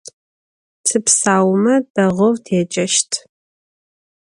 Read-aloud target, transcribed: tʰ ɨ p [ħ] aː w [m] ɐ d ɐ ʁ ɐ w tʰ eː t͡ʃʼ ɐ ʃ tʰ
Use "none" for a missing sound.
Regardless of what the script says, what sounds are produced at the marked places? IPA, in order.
s, m

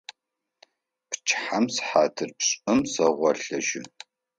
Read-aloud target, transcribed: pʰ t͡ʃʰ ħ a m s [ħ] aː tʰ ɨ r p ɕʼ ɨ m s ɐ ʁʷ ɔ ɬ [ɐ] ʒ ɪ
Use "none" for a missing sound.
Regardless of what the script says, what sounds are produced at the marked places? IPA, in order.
ħ, ɐ

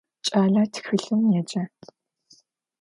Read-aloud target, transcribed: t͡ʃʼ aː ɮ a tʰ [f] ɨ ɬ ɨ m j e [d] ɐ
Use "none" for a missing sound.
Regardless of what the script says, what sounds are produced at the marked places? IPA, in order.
x, d͡ʒ

